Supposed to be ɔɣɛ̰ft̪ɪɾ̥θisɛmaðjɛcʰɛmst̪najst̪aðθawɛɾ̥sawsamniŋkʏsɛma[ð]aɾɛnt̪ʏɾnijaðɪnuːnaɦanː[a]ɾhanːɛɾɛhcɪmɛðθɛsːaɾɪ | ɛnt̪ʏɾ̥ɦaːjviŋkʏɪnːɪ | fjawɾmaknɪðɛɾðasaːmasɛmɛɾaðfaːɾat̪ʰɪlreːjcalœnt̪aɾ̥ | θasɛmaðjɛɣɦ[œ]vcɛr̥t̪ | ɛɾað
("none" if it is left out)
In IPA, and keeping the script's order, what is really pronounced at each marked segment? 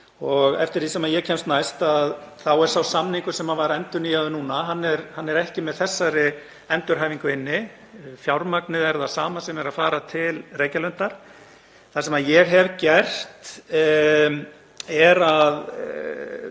v, ɛ, ɛ

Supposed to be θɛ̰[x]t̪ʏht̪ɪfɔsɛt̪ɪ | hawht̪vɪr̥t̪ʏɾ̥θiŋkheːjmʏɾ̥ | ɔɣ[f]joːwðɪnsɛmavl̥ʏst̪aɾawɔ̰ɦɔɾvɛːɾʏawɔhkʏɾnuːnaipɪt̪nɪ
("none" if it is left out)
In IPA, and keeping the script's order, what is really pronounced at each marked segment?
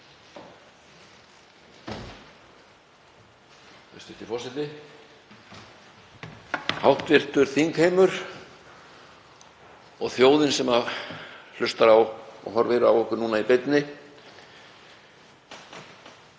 s, θ

